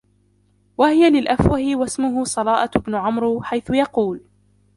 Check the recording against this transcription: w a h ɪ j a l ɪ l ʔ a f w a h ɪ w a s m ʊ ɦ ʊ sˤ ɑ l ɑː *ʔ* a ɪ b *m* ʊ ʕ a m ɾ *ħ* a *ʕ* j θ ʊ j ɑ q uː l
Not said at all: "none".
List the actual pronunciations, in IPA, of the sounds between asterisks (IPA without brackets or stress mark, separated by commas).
ʔ, n, ħ, none